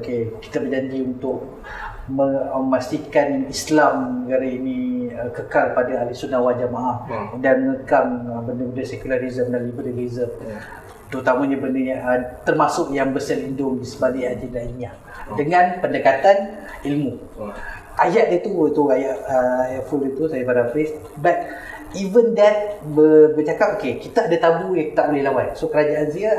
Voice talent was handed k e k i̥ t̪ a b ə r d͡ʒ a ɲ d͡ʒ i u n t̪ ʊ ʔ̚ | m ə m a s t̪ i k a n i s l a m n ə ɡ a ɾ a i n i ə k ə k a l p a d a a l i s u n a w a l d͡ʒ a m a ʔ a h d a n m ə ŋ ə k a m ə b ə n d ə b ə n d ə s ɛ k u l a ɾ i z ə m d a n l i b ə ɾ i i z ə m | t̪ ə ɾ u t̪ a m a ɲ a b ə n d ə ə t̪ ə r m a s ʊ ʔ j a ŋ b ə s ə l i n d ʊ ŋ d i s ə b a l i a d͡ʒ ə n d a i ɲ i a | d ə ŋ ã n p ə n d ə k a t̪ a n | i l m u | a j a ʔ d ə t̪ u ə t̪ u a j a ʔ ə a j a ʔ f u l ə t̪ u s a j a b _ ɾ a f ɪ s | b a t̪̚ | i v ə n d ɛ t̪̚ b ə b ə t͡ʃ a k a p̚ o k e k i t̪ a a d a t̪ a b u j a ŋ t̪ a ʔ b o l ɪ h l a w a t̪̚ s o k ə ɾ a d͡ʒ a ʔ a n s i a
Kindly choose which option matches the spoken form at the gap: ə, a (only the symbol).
a